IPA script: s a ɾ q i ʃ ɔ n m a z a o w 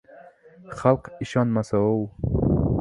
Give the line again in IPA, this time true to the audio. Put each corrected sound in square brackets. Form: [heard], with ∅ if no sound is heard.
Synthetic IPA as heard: [χ] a [l] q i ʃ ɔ n m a [s] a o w